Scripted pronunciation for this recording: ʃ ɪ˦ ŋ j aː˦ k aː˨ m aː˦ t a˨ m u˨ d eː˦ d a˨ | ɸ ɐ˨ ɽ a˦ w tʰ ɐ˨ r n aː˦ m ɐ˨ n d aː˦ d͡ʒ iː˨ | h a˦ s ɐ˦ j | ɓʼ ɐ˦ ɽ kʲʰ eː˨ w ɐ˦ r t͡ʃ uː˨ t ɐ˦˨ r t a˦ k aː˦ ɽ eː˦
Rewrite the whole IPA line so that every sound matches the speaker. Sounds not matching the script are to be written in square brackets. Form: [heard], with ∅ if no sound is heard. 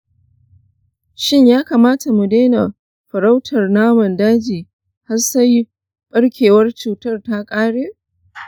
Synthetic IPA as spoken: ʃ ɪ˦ [ɲ] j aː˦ k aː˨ m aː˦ t a˨ m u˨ d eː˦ [n] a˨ | ɸ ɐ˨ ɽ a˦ w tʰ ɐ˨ r n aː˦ m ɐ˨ n d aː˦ d͡ʒ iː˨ | h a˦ s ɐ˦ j | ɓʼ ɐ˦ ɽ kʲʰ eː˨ w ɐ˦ r t͡ʃ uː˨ t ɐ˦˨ r t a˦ [kʼ] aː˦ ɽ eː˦